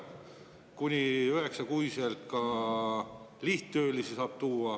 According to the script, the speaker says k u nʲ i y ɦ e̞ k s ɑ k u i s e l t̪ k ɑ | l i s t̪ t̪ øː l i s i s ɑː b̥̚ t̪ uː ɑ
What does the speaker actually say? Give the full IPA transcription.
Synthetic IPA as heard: k u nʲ i y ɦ e̞ k s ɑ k u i s e l t̪ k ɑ | l i h t̪ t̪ øː l i s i s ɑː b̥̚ t̪ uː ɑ